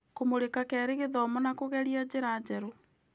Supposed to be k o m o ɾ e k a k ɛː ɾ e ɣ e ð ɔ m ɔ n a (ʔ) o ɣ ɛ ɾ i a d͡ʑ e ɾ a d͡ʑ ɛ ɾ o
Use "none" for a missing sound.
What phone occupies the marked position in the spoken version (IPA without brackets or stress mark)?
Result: k